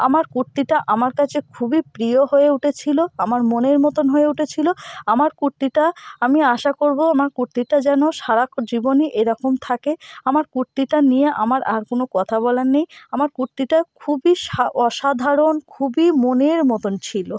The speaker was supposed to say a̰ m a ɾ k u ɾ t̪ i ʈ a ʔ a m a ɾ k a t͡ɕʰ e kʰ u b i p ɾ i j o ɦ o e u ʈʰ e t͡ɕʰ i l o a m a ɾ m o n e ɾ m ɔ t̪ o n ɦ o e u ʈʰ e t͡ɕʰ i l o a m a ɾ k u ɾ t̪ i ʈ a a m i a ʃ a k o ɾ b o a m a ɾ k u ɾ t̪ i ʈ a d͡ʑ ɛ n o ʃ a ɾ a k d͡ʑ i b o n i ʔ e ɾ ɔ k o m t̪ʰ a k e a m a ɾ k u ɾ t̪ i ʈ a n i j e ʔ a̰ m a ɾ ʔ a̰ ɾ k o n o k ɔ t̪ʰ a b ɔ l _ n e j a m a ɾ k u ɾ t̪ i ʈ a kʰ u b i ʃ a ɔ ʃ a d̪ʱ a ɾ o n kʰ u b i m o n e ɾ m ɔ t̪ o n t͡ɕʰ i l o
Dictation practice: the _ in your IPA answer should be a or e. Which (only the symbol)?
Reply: a